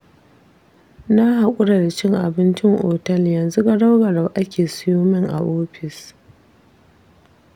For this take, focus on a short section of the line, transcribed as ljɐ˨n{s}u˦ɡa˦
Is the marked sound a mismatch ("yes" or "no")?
yes